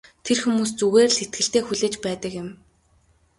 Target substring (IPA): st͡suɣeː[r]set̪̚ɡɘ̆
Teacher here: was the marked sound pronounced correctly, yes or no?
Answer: yes